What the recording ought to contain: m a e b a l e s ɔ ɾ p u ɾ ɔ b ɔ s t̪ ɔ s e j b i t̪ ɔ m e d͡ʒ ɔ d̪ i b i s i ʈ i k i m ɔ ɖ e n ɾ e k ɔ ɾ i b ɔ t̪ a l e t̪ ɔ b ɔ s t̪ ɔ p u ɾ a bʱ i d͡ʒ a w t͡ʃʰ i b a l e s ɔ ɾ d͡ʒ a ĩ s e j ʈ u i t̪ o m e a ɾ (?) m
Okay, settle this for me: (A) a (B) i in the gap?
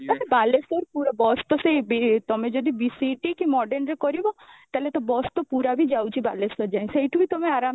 A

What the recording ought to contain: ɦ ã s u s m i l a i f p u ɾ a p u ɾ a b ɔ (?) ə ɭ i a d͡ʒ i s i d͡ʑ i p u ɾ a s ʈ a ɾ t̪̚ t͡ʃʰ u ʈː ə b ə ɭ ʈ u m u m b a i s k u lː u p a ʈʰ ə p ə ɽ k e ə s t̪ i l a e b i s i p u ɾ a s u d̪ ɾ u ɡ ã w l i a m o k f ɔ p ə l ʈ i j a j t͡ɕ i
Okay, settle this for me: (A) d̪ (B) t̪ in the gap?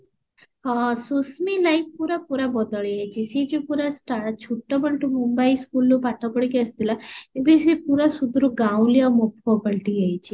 A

